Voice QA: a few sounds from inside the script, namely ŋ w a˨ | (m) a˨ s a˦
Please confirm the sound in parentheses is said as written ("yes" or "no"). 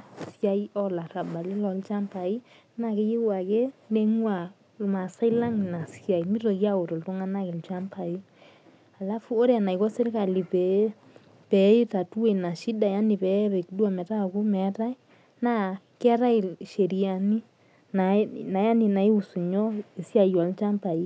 yes